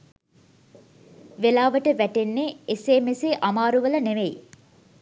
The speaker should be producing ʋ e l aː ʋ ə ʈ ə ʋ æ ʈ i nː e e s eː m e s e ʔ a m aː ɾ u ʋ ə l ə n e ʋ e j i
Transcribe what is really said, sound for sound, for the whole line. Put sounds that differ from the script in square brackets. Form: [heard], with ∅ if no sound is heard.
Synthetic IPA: ʋ e l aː ʋ ə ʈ ə ʋ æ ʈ [e] nː e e s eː m e s e ʔ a m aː ɾ u ʋ ə l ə n e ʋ e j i